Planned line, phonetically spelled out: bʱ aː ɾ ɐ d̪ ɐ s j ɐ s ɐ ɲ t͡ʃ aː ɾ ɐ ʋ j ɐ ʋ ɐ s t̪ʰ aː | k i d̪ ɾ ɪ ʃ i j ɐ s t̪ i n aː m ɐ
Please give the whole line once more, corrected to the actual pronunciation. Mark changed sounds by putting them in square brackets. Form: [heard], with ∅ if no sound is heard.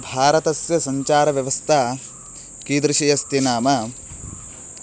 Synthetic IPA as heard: bʱ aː ɾ ɐ [t̪] ɐ s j ɐ s ɐ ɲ t͡ʃ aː ɾ ɐ ʋ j ɐ ʋ ɐ s t̪ʰ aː | k i d̪ ɾ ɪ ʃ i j ɐ s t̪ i n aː m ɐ